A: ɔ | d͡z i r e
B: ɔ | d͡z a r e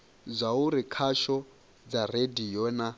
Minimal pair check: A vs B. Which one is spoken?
B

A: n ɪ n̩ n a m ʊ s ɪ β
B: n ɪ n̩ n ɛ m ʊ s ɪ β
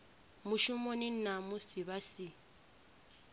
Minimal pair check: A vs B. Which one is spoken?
A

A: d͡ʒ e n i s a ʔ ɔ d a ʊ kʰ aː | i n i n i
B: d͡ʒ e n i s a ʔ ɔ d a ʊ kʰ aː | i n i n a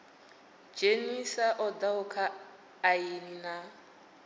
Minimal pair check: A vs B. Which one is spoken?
B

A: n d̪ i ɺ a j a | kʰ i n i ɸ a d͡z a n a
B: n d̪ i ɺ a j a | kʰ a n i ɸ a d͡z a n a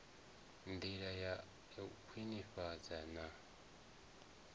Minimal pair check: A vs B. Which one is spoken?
A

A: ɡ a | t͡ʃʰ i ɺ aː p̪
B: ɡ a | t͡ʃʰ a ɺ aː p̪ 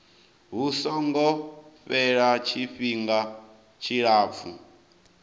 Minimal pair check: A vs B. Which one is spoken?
A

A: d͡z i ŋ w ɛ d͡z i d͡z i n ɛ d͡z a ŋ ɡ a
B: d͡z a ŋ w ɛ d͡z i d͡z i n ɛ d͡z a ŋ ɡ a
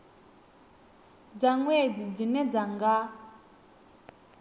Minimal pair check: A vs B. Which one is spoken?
B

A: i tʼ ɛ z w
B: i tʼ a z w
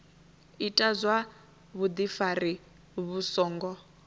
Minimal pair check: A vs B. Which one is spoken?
B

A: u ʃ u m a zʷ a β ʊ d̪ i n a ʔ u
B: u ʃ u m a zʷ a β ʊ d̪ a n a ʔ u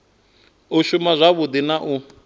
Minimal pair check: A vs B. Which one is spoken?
A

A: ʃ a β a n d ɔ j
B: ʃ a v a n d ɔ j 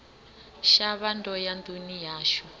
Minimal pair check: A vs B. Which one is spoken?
A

